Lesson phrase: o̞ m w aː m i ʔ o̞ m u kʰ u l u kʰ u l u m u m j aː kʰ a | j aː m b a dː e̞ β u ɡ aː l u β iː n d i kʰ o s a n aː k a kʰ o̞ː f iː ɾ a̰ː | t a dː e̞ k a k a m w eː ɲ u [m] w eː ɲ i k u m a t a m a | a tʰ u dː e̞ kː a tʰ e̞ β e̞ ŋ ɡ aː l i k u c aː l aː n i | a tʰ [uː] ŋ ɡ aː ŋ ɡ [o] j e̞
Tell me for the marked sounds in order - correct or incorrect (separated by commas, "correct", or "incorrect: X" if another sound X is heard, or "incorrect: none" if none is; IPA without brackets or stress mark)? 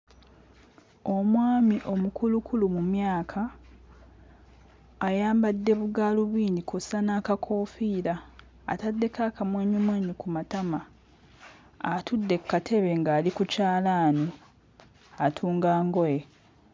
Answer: correct, correct, correct